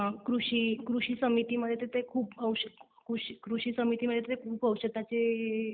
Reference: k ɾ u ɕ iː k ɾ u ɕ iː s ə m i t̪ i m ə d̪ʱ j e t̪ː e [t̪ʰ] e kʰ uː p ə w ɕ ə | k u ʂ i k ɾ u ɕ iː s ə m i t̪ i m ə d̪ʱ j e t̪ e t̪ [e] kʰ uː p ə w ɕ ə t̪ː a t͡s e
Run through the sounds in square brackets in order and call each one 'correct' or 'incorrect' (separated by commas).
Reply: incorrect, correct